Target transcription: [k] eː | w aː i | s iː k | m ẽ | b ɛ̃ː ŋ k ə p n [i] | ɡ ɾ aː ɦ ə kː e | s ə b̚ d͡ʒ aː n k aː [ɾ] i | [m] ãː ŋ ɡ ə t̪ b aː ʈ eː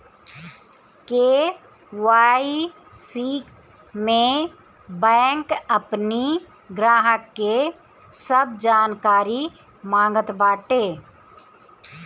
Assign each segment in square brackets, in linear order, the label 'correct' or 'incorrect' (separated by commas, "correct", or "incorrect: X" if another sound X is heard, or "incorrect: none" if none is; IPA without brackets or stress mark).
correct, correct, correct, correct